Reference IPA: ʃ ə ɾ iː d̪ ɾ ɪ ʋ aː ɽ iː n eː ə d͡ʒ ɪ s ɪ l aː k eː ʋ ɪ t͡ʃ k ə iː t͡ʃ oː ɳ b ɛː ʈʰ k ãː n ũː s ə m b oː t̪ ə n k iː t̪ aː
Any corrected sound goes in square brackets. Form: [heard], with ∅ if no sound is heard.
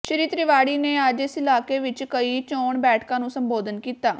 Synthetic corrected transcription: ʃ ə ɾ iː [t̪] ɾ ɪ ʋ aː ɽ iː n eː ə d͡ʒ ɪ s ɪ l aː k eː ʋ ɪ t͡ʃ k ə iː t͡ʃ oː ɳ b ɛː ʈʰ k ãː n ũː s ə m b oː [d̪] ə n k iː t̪ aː